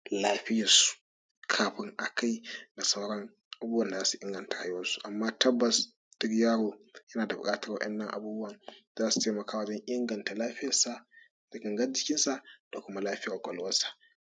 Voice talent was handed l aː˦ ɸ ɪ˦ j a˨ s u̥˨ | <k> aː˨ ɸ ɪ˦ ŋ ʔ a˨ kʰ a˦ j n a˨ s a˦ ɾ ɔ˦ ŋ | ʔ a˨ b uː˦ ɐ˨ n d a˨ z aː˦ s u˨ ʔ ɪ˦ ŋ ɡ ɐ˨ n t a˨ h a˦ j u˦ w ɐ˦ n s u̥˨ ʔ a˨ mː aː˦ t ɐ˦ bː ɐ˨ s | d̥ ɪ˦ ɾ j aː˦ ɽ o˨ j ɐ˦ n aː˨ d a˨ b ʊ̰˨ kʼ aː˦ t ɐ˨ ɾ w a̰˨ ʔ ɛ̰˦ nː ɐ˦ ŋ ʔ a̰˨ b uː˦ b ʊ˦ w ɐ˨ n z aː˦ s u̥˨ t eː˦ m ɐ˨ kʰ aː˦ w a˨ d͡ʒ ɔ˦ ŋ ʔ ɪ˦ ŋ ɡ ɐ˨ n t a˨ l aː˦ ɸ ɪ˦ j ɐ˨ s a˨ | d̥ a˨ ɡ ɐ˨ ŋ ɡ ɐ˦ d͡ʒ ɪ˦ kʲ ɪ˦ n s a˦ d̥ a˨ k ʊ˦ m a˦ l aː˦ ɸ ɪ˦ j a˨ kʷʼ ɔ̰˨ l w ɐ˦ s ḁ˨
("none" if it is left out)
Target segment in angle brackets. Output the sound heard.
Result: kʰ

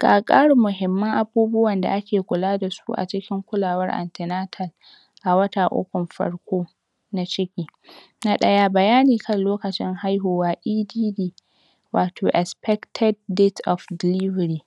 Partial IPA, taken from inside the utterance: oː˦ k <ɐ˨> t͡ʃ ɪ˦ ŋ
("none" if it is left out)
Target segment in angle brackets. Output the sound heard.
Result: ɐ˨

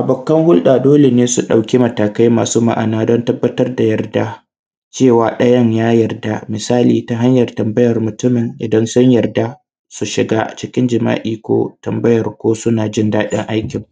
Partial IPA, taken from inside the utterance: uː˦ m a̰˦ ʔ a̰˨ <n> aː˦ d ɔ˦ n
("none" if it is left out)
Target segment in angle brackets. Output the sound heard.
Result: n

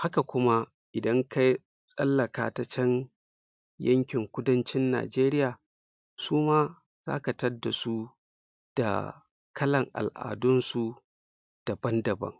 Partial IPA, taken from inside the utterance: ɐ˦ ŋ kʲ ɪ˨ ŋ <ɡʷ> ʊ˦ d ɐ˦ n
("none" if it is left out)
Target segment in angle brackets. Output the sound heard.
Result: kʷ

